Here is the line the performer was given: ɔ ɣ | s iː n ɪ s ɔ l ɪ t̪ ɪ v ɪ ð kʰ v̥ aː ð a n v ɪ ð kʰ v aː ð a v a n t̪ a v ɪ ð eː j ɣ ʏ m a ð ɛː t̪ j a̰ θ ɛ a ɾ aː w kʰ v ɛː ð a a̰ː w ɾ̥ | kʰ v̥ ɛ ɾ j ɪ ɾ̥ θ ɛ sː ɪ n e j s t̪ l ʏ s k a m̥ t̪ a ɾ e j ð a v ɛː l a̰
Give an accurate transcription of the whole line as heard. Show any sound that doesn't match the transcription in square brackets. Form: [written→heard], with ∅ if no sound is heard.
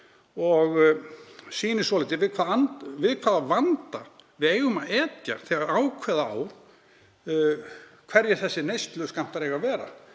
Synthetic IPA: ɔ ɣ | s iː n ɪ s ɔ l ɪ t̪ ɪ v ɪ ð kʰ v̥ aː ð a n v ɪ ð kʰ v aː ð a v a n t̪ a v ɪ ð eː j ɣ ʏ m a ð ɛː t̪ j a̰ θ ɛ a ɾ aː w kʰ v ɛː ð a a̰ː w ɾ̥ | kʰ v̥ ɛ ɾ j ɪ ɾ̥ θ ɛ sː ɪ n e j s t̪ l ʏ s k a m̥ t̪ a ɾ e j [ð→ɣ] a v ɛː [l→ɾ] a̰

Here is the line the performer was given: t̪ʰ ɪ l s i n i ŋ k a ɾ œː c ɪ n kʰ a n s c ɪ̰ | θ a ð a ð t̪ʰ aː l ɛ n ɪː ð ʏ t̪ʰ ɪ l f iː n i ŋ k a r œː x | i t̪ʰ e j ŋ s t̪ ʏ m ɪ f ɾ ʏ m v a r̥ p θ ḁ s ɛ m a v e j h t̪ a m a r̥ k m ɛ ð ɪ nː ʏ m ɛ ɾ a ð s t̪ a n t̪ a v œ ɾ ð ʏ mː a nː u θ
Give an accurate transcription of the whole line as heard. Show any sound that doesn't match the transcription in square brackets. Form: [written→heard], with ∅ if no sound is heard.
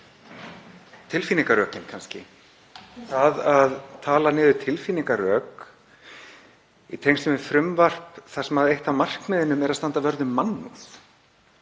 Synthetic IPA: t̪ʰ ɪ l [s→f] i n i ŋ k a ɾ œː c ɪ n kʰ a n s c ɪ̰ | θ a ð a ð t̪ʰ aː l [ɛ→a] n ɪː ð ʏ t̪ʰ ɪ l f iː n i ŋ k a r œː [x→k] | i t̪ʰ e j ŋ s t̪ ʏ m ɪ f ɾ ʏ m v a r̥ p θ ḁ s ɛ m a [v→ð] e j h t̪ a m a r̥ k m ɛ ð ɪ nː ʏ m ɛ ɾ a ð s t̪ a n t̪ a v œ ɾ ð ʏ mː a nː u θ

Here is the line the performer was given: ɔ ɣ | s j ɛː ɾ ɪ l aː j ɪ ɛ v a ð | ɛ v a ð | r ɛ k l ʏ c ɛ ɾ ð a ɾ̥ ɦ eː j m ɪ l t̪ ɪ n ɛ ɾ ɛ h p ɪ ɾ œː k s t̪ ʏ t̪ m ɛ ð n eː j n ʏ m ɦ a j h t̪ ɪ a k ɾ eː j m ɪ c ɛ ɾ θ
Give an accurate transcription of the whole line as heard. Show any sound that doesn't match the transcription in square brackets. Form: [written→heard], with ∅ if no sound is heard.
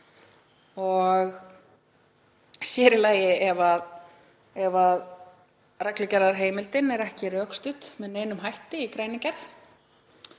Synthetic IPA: ɔ ɣ | s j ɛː ɾ ɪ l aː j ɪ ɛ v a ð | ɛ v a ð | r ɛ k l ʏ c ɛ ɾ ð a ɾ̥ ɦ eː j m ɪ l t̪ ɪ n ɛ ɾ ɛ h [p→c] ɪ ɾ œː k s t̪ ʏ t̪ m ɛ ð n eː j n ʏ m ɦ a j h t̪ ɪ [a→i] k ɾ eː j [m→n] ɪ c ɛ ɾ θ

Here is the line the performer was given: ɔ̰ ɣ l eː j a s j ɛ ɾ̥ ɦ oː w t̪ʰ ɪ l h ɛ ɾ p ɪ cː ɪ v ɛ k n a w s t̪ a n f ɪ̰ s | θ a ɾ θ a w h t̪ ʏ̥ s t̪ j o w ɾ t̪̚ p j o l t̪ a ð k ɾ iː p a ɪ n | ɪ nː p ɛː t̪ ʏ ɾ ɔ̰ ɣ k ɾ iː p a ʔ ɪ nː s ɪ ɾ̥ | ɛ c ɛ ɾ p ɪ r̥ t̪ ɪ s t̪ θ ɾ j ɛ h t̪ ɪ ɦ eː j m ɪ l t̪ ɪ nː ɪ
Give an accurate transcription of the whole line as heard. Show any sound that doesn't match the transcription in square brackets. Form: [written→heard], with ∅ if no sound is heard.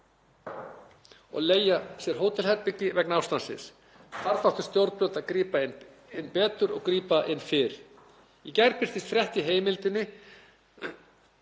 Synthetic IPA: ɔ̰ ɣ l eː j a s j ɛ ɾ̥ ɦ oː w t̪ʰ ɪ l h ɛ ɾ p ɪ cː ɪ v ɛ k n a w s t̪ a n [f→s] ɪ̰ s | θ a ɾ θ a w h t̪ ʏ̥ s t̪ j o w ɾ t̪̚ p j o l t̪ a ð k ɾ iː p a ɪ n | ɪ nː p ɛː t̪ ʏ ɾ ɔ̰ ɣ k ɾ iː p a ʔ ɪ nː [s→f] ɪ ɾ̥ | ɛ c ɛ ɾ p ɪ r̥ t̪ ɪ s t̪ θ ɾ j ɛ h t̪ ɪ ɦ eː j m ɪ l t̪ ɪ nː ɪ

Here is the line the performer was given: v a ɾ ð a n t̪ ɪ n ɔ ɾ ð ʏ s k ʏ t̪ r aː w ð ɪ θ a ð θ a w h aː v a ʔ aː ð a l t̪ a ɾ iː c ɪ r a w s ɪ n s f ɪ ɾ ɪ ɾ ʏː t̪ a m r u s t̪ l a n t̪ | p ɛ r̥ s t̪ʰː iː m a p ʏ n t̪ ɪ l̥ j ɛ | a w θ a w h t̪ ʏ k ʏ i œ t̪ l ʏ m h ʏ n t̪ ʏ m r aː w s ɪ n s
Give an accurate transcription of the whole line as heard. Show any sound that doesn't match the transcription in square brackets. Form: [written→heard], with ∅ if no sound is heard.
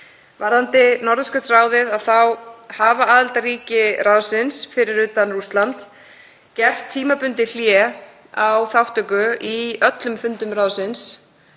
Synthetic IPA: v a ɾ ð a n t̪ ɪ n ɔ ɾ ð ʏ s k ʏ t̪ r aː w ð ɪ [θ→ð] a ð θ a w h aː v a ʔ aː ð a l t̪ a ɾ iː c ɪ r a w s ɪ n s f ɪ ɾ ɪ ɾ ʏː t̪ a [m→n] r u s t̪ l a n t̪ | [p→c] ɛ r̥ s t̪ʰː iː m a p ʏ n t̪ ɪ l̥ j ɛ | a w θ a w h t̪ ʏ k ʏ i œ t̪ l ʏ m [h→f] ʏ n t̪ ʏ m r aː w s ɪ n s

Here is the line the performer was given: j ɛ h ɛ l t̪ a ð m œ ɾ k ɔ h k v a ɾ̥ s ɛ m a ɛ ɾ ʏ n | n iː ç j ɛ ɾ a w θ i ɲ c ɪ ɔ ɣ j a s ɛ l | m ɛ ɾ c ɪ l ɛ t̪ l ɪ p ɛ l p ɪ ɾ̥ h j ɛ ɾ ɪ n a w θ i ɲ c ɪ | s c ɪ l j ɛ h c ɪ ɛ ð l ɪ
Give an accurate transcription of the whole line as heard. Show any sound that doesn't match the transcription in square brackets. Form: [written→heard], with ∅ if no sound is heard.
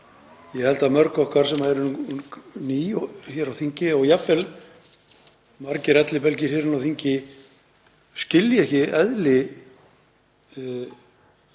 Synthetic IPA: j ɛ h ɛ l t̪ a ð m œ ɾ k ɔ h k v a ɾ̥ s ɛ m a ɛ ɾ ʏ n | n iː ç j ɛ ɾ a w θ i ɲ c ɪ ɔ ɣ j a [s→f] ɛ l | m [ɛ→a] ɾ c ɪ [l→ɾ] ɛ t̪ l ɪ p ɛ l [p→c] ɪ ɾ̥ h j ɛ ɾ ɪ n a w θ i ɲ c ɪ | s c ɪ l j ɛ h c ɪ ɛ ð l ɪ

